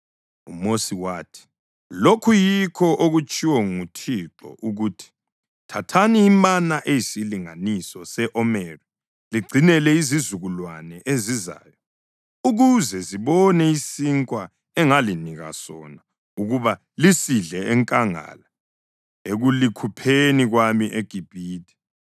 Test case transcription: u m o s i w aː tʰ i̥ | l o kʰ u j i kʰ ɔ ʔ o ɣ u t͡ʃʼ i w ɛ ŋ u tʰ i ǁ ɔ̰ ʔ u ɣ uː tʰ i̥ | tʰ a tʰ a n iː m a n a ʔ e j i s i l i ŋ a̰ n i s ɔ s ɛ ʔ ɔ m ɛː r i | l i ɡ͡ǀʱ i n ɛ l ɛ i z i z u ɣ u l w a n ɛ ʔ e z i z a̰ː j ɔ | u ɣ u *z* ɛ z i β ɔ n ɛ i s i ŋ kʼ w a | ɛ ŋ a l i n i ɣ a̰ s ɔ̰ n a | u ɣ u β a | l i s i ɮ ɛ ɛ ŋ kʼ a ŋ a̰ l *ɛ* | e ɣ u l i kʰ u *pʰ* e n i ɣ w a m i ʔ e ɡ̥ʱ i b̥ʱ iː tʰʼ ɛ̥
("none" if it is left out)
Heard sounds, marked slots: z, a, pʰ

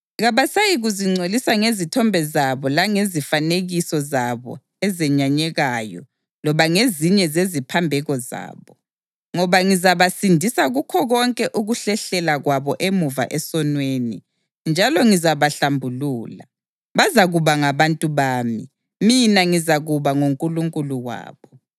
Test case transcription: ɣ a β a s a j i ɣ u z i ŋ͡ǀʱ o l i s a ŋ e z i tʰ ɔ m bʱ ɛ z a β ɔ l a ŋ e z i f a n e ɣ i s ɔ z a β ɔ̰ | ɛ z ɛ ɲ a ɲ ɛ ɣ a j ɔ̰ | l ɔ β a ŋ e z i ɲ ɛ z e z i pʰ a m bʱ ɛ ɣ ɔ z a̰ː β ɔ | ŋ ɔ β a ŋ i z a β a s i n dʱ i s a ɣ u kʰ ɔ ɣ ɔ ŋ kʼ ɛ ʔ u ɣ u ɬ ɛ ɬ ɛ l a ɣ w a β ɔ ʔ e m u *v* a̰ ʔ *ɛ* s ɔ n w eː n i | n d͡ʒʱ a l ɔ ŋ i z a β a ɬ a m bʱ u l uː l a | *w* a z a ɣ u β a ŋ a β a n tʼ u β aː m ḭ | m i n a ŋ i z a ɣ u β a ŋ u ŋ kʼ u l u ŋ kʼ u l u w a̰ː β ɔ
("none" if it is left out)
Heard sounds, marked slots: v, ɛ, β

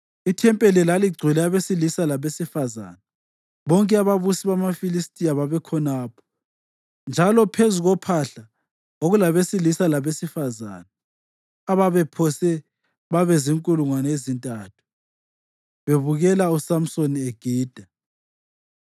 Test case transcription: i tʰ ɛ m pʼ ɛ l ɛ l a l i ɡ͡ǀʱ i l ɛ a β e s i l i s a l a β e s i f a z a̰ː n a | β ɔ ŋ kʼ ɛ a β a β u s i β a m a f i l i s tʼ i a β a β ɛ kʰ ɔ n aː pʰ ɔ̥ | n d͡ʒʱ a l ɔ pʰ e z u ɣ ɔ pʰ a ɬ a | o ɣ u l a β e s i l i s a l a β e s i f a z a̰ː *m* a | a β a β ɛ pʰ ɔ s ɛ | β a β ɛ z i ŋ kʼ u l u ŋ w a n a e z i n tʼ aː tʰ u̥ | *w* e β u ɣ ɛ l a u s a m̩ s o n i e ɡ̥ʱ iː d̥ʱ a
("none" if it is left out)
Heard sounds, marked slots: n, β

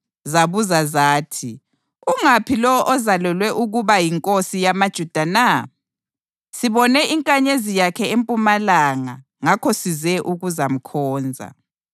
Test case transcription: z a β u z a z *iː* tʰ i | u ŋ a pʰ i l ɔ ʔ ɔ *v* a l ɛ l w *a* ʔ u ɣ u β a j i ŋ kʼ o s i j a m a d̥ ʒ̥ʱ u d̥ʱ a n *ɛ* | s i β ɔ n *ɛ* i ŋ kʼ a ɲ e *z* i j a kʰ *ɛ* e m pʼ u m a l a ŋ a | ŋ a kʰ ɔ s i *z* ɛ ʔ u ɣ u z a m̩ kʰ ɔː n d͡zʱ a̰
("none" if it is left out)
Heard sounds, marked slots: aː, z, ɛ, a, ɛ, z, ɛ, z

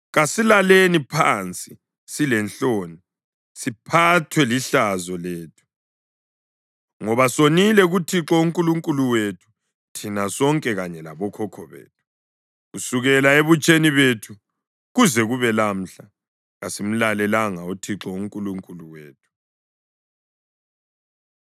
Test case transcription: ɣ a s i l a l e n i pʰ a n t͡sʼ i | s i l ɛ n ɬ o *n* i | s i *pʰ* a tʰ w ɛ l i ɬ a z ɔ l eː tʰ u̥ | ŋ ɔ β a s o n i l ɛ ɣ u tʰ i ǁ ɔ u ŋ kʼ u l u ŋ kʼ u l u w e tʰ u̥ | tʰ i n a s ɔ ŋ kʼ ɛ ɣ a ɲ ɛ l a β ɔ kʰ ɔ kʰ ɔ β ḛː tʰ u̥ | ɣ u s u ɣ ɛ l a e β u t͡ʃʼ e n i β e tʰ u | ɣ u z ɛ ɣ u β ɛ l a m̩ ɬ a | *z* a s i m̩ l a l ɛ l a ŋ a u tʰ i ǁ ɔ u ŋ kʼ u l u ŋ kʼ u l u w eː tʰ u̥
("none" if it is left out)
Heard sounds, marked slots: n, pʰ, ɣ

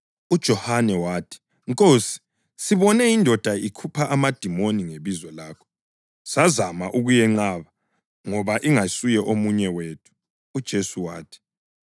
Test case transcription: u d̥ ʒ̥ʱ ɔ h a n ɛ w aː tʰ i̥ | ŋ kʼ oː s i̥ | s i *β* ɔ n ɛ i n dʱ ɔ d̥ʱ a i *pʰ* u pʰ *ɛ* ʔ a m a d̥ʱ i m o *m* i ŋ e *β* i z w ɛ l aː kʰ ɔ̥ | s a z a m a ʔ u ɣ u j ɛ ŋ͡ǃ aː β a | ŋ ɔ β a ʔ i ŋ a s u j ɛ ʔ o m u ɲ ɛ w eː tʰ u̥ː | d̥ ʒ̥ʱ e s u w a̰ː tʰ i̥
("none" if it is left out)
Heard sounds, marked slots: β, kʰ, a, n, β

